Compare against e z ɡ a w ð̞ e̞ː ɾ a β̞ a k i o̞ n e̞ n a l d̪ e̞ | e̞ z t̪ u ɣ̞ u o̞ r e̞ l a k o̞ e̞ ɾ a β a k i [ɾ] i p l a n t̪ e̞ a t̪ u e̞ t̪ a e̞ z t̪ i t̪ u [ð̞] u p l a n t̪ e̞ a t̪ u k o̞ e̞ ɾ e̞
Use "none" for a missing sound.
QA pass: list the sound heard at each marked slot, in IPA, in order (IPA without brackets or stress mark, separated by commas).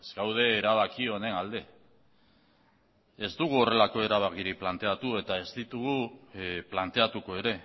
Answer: ɾ, ɣ̞